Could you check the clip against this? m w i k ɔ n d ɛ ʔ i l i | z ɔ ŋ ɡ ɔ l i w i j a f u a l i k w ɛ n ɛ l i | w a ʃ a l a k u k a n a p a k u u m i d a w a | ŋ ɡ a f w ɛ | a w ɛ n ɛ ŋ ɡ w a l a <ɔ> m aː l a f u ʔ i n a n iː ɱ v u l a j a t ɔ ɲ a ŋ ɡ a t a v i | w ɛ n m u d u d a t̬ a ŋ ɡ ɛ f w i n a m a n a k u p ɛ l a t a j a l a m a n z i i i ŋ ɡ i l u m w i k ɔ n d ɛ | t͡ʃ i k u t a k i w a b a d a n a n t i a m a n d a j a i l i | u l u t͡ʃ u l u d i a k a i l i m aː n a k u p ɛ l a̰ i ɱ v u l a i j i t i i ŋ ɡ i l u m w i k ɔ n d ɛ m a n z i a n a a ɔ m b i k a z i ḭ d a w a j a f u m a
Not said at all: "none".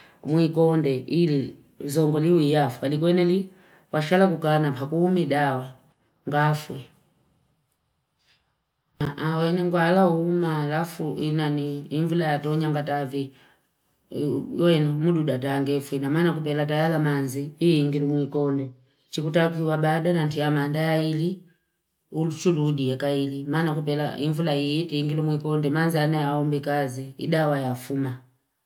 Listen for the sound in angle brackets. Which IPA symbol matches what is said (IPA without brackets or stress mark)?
u